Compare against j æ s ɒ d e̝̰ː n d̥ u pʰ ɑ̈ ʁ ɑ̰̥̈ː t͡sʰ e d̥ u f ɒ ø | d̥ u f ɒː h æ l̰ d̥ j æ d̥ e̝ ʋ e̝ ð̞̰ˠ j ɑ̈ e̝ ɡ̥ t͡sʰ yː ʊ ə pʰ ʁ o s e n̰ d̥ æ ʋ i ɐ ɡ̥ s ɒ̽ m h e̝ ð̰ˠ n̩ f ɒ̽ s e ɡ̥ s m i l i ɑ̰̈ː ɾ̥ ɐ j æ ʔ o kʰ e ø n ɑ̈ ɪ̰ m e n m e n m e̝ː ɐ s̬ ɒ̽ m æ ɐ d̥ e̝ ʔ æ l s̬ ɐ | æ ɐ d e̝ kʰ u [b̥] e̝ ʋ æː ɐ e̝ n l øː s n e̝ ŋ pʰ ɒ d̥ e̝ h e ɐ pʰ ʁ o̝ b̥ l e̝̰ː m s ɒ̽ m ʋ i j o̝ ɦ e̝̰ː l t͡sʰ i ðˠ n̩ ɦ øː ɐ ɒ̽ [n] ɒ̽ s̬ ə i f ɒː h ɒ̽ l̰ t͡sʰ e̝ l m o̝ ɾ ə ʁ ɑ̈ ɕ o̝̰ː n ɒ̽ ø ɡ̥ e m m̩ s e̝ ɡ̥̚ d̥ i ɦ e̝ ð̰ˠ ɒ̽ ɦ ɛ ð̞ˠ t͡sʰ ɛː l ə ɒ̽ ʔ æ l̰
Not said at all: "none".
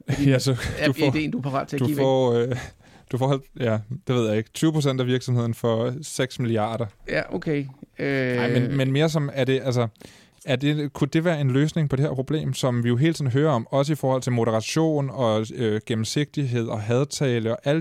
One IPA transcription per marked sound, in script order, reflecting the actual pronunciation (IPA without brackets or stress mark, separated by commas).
d̥, m